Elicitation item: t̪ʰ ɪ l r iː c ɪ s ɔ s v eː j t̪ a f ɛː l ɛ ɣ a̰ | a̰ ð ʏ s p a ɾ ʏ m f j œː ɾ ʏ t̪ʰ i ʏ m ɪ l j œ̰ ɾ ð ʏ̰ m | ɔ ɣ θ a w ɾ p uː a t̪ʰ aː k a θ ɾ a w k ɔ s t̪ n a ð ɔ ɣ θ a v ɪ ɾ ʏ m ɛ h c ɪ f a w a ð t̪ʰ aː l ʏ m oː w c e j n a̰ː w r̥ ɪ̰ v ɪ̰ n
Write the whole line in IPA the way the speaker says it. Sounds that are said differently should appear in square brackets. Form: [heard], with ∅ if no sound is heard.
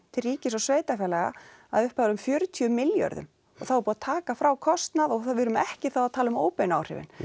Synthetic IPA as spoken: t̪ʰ ɪ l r iː c ɪ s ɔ s v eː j t̪ a f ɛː l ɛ ɣ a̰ | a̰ ð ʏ [h] p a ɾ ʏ m f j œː ɾ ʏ t̪ʰ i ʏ m ɪ l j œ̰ ɾ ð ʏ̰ m | ɔ ɣ θ a w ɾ p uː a t̪ʰ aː k a [f] ɾ a w [kʰ] ɔ s t̪ n a ð ɔ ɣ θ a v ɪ ɾ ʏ m ɛ h c ɪ [θ] a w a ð t̪ʰ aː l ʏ m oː w [p] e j n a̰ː w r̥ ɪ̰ v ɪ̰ n